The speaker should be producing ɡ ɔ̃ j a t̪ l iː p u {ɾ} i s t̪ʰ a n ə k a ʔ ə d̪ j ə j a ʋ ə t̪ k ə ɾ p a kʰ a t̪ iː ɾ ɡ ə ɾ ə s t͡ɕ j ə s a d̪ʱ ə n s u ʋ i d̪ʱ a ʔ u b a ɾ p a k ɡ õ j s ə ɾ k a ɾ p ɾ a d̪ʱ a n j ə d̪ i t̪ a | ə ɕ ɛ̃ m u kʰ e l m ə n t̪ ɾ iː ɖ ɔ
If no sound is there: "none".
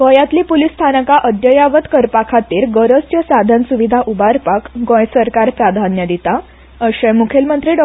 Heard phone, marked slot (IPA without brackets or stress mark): l